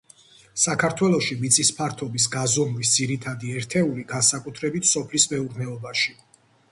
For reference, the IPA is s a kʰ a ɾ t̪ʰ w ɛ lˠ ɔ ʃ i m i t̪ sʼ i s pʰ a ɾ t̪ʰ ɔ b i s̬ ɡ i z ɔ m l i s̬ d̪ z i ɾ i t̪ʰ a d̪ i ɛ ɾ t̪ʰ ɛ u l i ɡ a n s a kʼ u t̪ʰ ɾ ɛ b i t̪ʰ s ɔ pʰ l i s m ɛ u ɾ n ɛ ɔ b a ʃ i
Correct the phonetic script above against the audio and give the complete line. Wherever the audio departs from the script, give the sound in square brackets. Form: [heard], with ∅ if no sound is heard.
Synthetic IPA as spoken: s a kʰ a ɾ t̪ʰ w ɛ lˠ ɔ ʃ i m i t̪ sʼ i s pʰ a ɾ t̪ʰ ɔ b i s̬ ɡ [a] z ɔ m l i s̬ d̪ z i ɾ i t̪ʰ a d̪ i ɛ ɾ t̪ʰ ɛ u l i ɡ a n s a kʼ u t̪ʰ ɾ ɛ b i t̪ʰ s ɔ pʰ l i s m ɛ u ɾ n ɛ ɔ b a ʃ i